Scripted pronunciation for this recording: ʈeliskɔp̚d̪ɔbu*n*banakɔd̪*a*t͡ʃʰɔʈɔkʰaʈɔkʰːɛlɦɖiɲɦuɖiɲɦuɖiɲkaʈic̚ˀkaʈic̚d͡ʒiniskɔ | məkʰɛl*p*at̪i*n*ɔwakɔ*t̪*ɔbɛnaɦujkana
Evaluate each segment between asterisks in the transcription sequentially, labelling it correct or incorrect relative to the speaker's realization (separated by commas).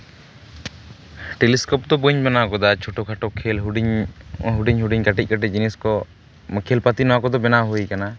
incorrect, correct, correct, correct, incorrect